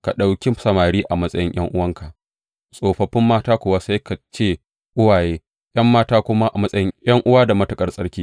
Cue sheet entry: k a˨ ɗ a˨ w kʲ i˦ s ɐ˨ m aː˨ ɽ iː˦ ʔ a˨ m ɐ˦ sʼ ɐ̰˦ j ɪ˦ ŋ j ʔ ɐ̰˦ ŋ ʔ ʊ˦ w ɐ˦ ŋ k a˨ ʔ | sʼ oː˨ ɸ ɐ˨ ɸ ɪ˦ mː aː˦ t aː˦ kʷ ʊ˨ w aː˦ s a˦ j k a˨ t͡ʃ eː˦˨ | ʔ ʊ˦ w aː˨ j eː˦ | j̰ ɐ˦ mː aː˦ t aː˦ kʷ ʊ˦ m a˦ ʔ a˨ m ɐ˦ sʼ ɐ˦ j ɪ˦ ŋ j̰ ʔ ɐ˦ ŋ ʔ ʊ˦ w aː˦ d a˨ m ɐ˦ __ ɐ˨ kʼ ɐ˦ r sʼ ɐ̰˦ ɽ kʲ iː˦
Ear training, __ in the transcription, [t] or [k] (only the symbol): t